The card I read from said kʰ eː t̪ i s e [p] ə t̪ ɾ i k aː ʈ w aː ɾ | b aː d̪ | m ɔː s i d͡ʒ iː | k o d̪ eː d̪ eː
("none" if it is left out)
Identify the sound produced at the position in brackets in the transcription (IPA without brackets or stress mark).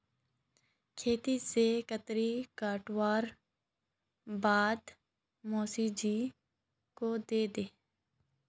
k